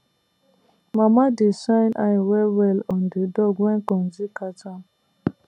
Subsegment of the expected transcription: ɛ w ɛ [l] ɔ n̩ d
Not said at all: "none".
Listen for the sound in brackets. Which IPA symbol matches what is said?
l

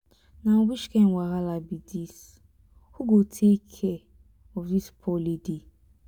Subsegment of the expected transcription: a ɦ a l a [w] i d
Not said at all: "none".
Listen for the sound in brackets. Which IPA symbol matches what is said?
b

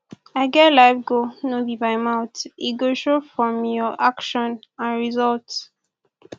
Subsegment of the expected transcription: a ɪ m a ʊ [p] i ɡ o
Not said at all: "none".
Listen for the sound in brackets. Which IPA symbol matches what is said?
t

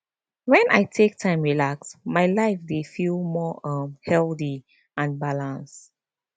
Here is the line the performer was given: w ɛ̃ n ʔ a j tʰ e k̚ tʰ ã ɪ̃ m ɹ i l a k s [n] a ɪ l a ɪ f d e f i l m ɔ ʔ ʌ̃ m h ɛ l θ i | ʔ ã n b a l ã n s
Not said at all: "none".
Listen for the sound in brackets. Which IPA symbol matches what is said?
m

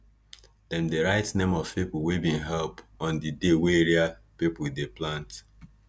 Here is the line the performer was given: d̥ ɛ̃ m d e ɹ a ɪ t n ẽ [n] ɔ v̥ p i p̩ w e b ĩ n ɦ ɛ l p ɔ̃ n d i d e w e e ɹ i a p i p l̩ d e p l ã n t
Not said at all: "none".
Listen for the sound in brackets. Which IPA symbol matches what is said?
m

